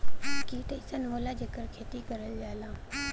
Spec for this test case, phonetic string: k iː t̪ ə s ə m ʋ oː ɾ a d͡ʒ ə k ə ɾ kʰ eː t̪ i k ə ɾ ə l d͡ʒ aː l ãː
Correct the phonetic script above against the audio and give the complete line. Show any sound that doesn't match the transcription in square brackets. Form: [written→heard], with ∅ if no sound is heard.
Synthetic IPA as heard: k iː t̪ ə s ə [m→n] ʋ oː [ɾ→l] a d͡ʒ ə k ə ɾ kʰ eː t̪ i k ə ɾ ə l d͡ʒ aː l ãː